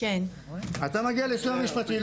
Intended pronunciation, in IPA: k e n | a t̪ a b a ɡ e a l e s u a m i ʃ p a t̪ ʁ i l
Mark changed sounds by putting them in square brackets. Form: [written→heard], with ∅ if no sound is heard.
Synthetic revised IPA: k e n | a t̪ a [b→m] a ɡ [e→i] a l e s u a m i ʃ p a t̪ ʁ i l